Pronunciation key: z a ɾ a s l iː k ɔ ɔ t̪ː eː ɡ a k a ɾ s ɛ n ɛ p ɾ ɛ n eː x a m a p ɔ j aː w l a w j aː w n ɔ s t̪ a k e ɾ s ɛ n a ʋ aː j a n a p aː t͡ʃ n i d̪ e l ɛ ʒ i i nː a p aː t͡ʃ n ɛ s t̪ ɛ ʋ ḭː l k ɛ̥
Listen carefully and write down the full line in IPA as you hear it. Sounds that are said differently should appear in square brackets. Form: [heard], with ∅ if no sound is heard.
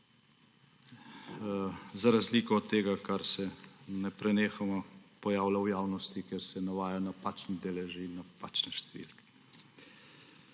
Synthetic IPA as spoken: z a ɾ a [z] l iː k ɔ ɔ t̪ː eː ɡ a k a ɾ s ɛ n ɛ p ɾ ɛ n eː x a m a p ɔ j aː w l a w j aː w n ɔ s t̪ [i] k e ɾ s ɛ n a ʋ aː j a n a p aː t͡ʃ n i d̪ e l ɛ ʒ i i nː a p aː t͡ʃ n ɛ [ʃ] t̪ ɛ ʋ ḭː l k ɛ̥